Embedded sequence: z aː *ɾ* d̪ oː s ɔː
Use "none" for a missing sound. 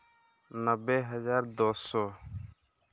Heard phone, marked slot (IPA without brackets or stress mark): ɾ